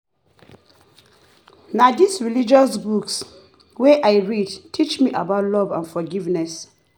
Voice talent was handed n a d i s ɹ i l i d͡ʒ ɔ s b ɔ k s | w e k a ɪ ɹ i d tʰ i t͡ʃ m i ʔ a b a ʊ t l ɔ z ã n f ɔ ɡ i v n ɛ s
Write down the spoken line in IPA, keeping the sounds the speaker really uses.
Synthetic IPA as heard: n a d i s ɹ i l i d͡ʒ ɔ s b u k s | w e ʔ a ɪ ɹ i d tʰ i t͡ʃ m i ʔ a b a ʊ t l ɔ v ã n f ɔ ɡ i v n ɛ s